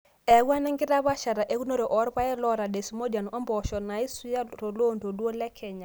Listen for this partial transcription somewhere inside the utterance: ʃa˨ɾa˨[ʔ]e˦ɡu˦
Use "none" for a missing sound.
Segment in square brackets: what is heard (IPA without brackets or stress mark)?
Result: ʔ